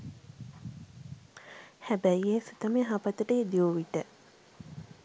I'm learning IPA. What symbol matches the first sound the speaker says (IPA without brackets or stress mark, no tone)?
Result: h